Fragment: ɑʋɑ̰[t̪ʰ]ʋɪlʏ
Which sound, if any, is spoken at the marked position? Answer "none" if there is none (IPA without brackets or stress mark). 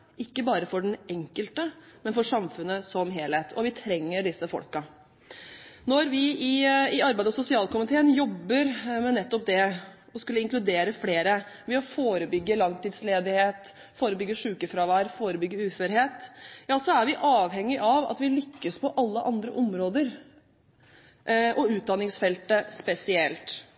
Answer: t̪